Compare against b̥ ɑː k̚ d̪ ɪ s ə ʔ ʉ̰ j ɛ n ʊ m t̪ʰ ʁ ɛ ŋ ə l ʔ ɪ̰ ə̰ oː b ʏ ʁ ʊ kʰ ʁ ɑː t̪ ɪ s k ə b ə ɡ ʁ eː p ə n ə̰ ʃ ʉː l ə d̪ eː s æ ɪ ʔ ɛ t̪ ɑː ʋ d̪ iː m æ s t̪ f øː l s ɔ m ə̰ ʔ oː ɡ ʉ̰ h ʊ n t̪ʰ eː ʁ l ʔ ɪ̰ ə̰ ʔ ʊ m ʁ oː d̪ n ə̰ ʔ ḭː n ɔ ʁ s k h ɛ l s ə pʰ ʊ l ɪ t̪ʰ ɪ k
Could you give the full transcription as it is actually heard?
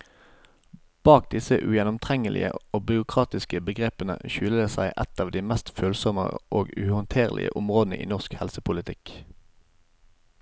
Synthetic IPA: b̥ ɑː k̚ d̪ ɪ s ə ʔ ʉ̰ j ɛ n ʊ m t̪ʰ ʁ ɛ ŋ ə l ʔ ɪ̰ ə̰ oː b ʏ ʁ ʊ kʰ ʁ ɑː t̪ ɪ s k ə b ə ɡ ʁ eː p ə n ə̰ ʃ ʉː l ə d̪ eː s æ ɪ ʔ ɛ t̪ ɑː ʋ d̪ iː m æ s t̪ f øː l s ɔ m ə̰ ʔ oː ɡ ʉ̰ h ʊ n t̪ʰ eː ʁ l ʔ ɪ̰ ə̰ ʔ ʊ m ʁ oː d̪ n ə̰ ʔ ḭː n ɔ ʁ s k h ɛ l s ə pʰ ʊ l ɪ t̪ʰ ɪ k